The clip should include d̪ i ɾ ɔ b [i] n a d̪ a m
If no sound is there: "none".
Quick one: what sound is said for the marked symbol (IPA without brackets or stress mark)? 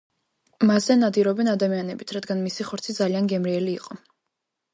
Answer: ɛ